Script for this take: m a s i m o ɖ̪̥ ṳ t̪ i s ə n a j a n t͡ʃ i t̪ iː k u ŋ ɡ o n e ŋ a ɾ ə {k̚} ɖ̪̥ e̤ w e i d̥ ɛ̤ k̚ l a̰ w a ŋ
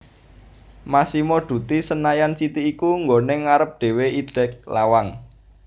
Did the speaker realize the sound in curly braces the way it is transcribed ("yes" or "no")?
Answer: no